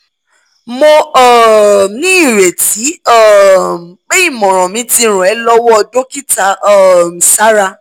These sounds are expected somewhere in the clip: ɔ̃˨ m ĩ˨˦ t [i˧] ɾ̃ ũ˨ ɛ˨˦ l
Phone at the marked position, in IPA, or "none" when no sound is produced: i˧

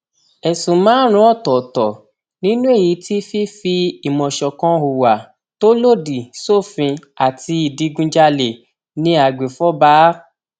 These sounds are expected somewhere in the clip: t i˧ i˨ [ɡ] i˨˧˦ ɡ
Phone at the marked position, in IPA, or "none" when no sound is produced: d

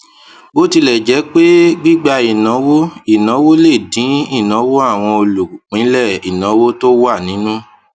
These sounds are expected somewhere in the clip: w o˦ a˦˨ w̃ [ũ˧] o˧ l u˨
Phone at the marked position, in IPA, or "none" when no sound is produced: ɔ̃˧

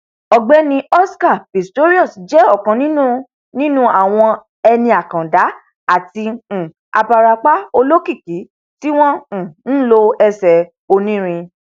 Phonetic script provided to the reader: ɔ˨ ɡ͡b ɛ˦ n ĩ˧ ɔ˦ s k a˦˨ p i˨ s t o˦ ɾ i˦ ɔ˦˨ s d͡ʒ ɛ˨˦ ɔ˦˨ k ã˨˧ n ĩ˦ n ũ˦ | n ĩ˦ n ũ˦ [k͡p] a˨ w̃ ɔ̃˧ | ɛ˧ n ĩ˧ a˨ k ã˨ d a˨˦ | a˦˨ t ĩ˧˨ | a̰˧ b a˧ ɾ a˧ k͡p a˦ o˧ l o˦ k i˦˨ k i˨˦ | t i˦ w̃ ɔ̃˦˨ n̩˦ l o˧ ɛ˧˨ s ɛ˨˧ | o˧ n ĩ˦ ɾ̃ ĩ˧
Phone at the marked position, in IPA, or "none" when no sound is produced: none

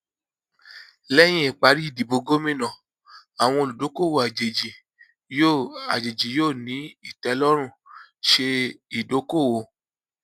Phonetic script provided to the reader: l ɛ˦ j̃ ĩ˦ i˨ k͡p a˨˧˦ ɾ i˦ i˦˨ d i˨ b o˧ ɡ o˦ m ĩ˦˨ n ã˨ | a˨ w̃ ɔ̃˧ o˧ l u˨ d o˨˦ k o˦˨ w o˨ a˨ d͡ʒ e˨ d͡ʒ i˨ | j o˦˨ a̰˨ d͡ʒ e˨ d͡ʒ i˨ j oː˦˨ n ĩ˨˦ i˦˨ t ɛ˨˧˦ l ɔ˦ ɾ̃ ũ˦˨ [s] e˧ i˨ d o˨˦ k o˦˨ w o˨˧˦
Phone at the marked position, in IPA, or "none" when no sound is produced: ʃ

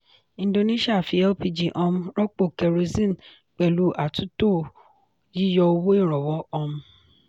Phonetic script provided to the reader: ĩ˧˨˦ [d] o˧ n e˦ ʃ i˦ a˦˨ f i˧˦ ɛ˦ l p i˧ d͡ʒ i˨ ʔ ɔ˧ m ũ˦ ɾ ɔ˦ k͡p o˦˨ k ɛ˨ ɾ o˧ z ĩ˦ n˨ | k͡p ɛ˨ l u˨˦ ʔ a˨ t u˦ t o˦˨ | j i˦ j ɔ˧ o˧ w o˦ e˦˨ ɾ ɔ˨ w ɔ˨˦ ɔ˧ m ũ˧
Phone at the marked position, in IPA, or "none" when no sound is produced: d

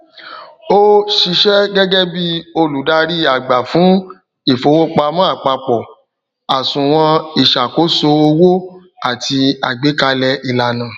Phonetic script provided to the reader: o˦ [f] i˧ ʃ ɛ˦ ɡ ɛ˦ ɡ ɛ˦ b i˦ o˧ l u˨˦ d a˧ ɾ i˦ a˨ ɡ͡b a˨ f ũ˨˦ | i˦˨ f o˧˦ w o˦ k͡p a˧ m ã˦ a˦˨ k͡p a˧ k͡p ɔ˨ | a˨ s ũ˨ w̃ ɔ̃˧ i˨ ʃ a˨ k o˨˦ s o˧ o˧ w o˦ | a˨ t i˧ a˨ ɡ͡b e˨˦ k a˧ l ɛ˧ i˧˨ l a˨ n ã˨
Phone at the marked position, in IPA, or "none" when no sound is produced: ʃ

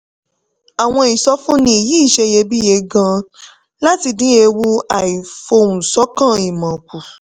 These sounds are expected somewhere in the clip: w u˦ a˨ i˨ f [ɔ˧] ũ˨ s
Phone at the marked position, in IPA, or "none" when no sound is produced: o˧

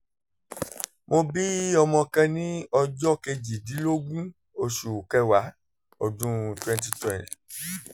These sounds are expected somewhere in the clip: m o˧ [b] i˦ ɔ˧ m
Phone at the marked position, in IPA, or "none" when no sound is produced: b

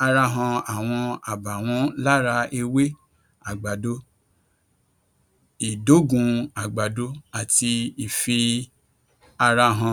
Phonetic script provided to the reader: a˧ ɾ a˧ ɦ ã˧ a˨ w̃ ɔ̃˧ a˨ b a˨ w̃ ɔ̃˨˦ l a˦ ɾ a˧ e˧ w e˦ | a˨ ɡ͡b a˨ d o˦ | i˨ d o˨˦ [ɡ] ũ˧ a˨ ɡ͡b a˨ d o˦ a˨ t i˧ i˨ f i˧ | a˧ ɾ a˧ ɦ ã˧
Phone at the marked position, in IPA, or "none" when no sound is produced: ɡ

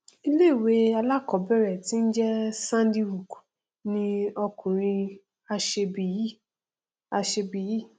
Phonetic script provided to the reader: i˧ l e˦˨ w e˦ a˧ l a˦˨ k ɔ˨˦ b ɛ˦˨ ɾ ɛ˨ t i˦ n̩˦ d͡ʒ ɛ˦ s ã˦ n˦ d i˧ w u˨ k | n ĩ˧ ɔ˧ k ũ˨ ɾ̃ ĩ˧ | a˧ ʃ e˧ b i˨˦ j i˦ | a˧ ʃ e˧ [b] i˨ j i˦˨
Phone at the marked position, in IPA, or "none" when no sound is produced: b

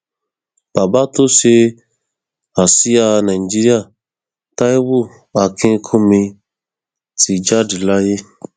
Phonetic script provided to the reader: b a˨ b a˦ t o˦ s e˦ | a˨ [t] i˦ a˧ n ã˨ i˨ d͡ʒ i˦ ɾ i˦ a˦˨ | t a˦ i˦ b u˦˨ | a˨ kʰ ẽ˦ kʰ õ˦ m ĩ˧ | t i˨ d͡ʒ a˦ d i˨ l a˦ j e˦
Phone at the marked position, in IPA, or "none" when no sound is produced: s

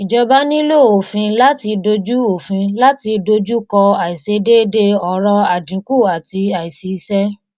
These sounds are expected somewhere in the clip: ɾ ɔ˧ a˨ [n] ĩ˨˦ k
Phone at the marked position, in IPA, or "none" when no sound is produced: d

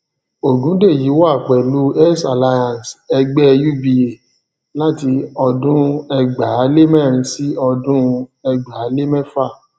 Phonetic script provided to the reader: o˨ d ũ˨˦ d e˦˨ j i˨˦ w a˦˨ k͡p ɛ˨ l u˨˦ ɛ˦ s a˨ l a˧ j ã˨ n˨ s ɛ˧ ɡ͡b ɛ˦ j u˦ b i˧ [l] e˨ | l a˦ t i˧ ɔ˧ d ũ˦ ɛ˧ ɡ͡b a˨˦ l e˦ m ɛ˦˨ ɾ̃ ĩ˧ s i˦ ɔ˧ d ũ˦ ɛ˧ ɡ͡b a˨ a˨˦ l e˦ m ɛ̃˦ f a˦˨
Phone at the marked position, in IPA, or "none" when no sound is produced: none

